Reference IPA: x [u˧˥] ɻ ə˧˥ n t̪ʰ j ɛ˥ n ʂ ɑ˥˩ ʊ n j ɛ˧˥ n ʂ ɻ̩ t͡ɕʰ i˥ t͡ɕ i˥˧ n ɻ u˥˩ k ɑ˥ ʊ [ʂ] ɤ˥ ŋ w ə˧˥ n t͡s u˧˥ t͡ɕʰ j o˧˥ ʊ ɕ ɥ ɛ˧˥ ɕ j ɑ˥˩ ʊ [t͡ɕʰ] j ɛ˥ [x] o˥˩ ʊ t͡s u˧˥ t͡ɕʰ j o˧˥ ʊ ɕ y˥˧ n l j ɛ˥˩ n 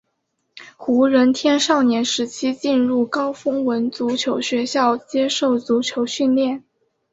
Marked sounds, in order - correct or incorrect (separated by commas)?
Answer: correct, incorrect, incorrect, incorrect